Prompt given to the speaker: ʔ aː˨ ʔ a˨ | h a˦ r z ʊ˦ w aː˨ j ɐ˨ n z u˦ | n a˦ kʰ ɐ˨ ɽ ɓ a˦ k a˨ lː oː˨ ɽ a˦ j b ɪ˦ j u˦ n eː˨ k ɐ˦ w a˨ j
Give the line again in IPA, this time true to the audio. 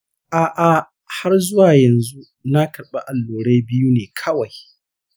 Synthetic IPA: ʔ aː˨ ʔ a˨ | h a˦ r z ʊ˦ w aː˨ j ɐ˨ n z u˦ | n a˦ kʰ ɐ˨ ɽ ɓ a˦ ʔ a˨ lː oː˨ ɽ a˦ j b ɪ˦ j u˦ n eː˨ kʰ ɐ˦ w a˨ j